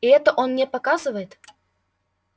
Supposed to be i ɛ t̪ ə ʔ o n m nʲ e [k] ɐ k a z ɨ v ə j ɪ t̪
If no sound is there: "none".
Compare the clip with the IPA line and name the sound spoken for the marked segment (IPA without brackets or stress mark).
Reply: p